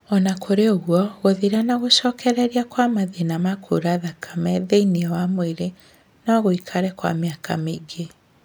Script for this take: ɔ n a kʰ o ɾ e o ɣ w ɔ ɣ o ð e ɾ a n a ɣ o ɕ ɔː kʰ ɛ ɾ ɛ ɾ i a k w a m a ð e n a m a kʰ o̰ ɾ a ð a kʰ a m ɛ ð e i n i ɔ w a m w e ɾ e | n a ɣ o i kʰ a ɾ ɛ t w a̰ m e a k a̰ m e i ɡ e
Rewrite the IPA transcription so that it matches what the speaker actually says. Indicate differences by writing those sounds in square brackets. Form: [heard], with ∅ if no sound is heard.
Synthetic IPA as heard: ɔ n a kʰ o ɾ e o ɣ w ɔ ɣ o ð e ɾ a n a ɣ o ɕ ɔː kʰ ɛ ɾ ɛ ɾ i a k w a m a ð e n a m a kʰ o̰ ɾ a ð a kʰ a m ɛ ð e i n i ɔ w a m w e ɾ e | n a ɣ o i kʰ a ɾ ɛ [k] w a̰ m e a k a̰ m e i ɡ e

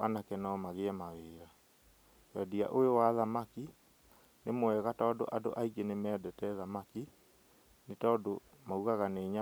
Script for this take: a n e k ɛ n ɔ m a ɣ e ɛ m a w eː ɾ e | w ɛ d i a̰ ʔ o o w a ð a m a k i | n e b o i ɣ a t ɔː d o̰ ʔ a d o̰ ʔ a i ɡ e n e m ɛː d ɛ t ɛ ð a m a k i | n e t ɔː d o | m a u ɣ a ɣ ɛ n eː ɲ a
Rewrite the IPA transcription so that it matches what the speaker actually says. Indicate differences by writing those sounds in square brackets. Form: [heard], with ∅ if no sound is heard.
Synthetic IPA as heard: a n [a] k ɛ n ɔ m a ɣ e ɛ m a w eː ɾ [a] | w ɛ d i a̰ ʔ o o w a ð a m a k i | n e [m] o [ɛ] ɣ a t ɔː d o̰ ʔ a d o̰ ʔ a i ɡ e n e m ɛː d ɛ t ɛ ð a m a k i | n e t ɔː d o | m a u ɣ a ɣ [a] n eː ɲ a

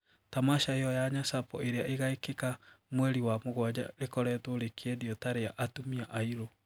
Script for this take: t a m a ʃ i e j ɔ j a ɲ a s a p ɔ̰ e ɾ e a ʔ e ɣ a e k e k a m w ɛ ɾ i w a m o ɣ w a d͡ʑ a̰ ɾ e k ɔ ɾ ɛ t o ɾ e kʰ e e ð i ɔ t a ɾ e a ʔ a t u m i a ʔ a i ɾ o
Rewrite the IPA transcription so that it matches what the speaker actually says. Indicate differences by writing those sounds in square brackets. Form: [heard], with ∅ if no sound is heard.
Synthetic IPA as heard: t a m a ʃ [a] e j ɔ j a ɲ a s a p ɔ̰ e ɾ e a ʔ e ɣ a e k e k a m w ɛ ɾ i w a m o ɣ w a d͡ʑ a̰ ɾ e k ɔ ɾ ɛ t o ɾ e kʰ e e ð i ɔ t a ɾ e a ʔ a t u m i a ʔ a i ɾ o

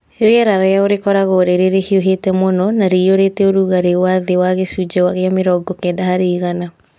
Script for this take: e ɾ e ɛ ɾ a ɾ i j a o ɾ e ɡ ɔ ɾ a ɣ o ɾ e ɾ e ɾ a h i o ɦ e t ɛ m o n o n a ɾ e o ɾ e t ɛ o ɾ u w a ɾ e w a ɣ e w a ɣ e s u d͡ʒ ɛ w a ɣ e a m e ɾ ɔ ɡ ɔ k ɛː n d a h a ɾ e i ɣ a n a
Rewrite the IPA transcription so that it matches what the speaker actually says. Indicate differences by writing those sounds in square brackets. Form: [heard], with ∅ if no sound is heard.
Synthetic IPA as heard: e ɾ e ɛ ɾ a ɾ [a] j a o ɾ e [k] ɔ ɾ a ɣ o ɾ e ɾ e ɾ [e] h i o ɦ e t ɛ m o n [ɔ] n a ɾ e o ɾ e t ɛ o ɾ u [ɣ] a ɾ e w a [ð] e w a ɣ e s u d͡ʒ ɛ w a ɣ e a m e ɾ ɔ ɡ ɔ k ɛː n d a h a ɾ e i ɣ a n a

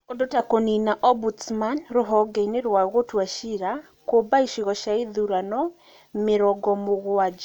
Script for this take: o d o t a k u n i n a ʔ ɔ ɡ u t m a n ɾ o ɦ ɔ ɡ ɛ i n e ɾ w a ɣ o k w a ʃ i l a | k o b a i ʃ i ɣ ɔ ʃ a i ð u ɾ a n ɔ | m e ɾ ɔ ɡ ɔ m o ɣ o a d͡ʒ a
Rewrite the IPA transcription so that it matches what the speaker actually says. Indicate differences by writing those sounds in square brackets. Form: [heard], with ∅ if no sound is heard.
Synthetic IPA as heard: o d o t a k [o] n i n a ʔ ɔ [b] u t m a n ɾ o ɦ ɔ ɡ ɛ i n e ɾ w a ɣ o [t] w a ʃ i [ɾ] a | k o b a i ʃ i ɣ ɔ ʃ a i ð u ɾ a n ɔ | m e ɾ ɔ ɡ ɔ m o ɣ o a d͡ʒ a

